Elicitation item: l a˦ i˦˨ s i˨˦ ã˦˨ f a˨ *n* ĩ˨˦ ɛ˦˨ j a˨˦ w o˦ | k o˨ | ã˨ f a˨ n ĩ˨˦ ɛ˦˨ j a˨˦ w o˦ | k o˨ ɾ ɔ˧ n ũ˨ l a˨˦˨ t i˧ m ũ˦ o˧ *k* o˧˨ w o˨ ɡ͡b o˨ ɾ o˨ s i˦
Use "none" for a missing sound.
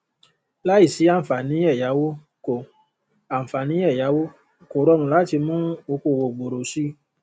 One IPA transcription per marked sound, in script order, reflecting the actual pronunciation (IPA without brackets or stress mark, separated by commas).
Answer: n, k